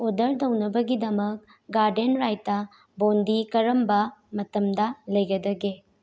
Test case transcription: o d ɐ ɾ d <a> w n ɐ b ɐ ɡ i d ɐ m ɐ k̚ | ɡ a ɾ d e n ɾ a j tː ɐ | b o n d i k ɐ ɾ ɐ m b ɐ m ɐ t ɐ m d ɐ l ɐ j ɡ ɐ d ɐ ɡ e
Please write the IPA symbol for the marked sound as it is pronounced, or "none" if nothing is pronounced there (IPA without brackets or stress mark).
ɐ